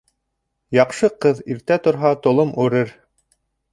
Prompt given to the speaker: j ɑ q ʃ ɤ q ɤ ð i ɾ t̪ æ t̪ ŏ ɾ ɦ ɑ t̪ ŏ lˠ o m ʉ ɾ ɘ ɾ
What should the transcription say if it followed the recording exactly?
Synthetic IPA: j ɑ q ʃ ɤ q ɤ ð i ɾ t̪ æ t̪ ŏ ɾ ɦ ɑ t̪ ŏ lˠ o m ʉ ɾ ɘ ɾ